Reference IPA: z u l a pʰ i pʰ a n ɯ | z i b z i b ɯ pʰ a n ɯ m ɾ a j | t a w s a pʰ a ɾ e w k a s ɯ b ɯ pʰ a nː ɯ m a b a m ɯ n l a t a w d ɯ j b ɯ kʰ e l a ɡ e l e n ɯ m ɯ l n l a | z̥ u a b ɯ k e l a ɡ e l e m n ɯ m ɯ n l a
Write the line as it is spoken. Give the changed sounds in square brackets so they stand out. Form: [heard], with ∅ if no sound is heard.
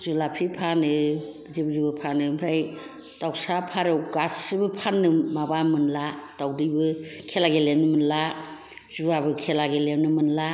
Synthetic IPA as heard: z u l a pʰ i pʰ a n ɯ | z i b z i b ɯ pʰ a n ɯ m ɾ a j | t a w s a pʰ a ɾ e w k a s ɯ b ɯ pʰ a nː ɯ m a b a m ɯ n l a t a w d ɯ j b ɯ kʰ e l a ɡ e l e n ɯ m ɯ [∅] n l a | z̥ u a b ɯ [kʰ] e l a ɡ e l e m n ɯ m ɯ n l a